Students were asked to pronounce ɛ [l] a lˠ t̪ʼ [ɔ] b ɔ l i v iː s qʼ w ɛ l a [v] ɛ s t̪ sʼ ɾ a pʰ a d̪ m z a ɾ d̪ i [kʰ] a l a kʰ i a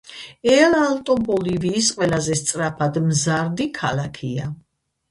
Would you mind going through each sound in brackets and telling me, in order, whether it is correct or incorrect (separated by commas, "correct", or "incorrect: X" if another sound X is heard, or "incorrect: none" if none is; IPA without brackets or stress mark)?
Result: correct, correct, incorrect: z, correct